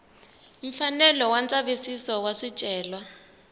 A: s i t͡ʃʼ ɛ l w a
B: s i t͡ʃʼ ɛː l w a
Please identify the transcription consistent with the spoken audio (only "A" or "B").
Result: B